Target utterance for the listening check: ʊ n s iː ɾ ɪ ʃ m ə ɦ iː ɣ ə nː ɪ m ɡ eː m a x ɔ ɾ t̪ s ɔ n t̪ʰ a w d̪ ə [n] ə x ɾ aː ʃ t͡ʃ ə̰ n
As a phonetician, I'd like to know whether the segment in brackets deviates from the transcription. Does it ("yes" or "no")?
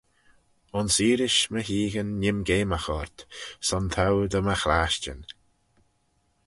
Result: yes